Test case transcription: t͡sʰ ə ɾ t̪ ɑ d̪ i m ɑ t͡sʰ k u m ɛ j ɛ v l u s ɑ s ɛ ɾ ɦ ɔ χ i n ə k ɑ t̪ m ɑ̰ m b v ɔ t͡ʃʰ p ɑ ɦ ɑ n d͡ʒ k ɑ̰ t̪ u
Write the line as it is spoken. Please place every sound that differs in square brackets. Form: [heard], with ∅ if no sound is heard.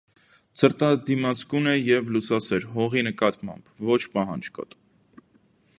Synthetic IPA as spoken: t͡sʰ ə ɾ t̪ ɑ d̪ i m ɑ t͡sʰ k u [n] ɛ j ɛ v l u s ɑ s ɛ ɾ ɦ ɔ [ʁ] i n ə k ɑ t̪ m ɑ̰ m b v ɔ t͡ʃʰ p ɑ ɦ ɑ n d͡ʒ k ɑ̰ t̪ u